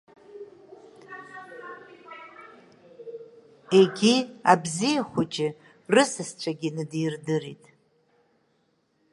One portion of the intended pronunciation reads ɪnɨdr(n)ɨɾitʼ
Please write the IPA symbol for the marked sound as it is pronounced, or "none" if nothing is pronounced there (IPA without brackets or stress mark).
d